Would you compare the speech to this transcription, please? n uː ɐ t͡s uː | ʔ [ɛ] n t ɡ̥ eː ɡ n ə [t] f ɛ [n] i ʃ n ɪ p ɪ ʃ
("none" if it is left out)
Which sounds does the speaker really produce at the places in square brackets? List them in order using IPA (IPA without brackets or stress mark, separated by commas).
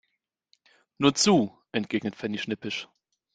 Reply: ɛ, t, n